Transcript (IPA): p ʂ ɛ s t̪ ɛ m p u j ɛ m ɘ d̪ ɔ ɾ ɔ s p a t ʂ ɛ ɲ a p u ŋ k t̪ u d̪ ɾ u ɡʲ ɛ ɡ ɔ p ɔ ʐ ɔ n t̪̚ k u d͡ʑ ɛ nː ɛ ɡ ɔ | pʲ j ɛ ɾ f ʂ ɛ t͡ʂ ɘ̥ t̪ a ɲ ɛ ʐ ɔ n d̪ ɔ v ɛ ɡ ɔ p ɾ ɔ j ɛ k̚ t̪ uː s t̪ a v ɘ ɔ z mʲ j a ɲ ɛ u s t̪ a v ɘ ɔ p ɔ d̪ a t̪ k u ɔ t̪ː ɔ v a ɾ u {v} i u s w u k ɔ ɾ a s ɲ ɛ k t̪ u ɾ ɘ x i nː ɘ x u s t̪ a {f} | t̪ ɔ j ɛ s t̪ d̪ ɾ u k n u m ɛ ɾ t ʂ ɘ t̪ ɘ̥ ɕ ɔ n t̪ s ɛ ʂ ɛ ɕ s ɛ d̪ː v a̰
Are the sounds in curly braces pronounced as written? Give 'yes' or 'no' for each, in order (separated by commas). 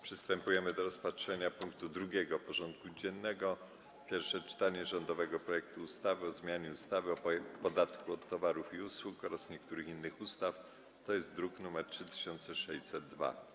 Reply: no, yes